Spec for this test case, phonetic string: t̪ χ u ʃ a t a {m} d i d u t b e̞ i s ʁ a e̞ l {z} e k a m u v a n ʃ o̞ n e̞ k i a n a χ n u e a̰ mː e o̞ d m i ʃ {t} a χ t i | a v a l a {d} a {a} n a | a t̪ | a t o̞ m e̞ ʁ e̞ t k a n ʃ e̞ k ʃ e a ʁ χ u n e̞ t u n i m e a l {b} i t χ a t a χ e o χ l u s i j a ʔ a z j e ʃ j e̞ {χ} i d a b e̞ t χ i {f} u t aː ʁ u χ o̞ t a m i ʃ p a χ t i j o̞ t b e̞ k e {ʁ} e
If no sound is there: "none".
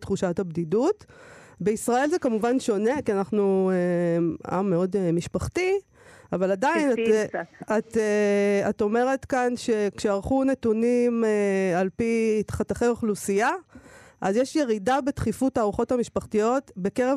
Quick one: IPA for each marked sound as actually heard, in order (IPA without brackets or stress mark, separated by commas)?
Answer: b, z, p, d, i, p, ʁ, f, ʁ